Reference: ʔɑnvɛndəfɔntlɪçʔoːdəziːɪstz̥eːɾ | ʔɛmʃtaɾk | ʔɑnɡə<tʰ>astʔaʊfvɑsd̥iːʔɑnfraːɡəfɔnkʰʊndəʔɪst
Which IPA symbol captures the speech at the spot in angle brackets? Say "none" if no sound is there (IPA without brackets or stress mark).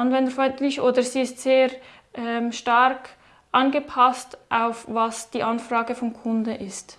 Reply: pʰ